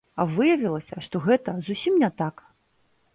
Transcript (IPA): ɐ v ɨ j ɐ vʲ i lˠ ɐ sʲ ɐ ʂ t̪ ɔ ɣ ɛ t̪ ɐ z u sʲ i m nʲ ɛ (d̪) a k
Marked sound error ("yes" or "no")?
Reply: yes